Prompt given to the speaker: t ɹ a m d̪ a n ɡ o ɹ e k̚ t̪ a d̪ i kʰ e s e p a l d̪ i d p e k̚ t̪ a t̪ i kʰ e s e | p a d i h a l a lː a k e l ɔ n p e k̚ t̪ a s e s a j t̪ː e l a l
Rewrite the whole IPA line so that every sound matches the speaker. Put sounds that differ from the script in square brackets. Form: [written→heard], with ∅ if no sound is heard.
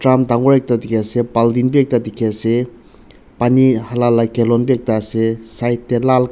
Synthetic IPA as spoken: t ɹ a m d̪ a [n→ŋ] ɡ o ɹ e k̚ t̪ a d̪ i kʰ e s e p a l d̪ i [d→n] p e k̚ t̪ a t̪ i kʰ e s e | p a [d→n] i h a l a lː a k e l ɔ n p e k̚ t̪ a s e s a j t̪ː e l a l